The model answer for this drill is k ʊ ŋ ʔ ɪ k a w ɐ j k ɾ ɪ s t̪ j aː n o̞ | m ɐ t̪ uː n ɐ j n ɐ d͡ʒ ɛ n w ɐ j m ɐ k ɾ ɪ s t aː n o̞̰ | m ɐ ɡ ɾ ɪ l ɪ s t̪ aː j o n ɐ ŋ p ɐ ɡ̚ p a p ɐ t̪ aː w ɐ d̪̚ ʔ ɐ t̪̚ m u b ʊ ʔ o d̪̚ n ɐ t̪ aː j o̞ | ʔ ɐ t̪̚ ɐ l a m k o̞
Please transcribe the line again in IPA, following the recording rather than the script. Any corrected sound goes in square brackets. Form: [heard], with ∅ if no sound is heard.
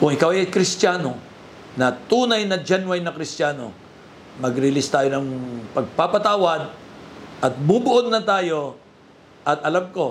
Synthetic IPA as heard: k ʊ ŋ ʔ ɪ k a w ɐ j k ɾ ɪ s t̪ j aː n o̞ | [n] ɐ t̪ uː n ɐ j n ɐ d͡ʒ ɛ n w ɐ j [n] ɐ k ɾ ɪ s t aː n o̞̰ | m ɐ ɡ ɾ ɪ l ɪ s t̪ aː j o n ɐ ŋ p ɐ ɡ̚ p a p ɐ t̪ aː w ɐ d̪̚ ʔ ɐ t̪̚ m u b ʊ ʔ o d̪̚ n ɐ t̪ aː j o̞ | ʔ ɐ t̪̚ ɐ l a m k o̞